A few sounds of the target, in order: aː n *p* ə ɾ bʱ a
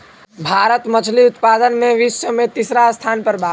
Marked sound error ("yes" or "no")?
no